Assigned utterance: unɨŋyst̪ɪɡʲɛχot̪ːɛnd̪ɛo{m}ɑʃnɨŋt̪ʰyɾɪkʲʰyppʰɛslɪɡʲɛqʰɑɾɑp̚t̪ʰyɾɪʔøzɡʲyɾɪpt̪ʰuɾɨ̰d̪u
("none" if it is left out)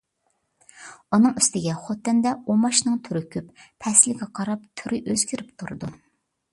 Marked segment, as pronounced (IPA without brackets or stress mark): m